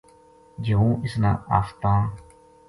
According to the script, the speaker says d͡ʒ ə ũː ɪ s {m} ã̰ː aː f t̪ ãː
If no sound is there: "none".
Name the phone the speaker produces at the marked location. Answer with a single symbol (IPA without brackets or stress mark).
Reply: n